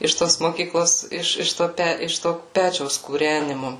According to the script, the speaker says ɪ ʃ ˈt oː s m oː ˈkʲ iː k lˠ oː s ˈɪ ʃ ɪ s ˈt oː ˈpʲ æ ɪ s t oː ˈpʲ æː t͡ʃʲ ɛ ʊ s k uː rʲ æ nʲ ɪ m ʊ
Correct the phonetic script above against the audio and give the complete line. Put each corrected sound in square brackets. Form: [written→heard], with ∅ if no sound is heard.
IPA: ɪ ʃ ˈt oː s m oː ˈkʲ iː k lˠ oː s ˈɪ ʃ ɪ [s→ʃ] ˈt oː ˈpʲ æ ɪ [s→ʃ] t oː ˈpʲ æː t͡ʃʲ ɛ ʊ s k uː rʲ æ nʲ ɪ m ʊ